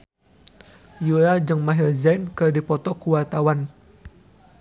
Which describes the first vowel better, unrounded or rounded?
rounded